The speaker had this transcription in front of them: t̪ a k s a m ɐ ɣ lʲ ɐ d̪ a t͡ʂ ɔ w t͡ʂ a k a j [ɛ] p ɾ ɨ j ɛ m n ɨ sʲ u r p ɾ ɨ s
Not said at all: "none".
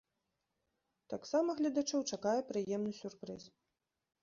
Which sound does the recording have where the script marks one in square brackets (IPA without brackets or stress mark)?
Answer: ɛ